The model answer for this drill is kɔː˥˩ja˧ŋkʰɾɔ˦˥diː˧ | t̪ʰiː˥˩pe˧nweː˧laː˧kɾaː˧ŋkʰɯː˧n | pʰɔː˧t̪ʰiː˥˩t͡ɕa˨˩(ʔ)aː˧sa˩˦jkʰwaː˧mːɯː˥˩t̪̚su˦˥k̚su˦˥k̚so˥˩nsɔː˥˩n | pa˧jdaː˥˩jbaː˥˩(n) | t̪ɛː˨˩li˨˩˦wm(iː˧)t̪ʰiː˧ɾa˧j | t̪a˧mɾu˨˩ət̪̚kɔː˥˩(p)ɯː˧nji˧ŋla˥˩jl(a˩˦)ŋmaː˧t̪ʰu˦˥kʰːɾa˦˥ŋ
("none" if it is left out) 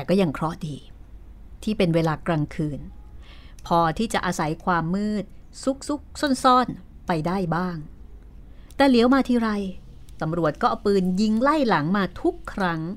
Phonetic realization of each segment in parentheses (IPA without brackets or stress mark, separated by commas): ʔ, ŋ, aː˧, p, a˩˦